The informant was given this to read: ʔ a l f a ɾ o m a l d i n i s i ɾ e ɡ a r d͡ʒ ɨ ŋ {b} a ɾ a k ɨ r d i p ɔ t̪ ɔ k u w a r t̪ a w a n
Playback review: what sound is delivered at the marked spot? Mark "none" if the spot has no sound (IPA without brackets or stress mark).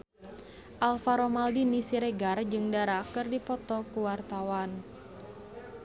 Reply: d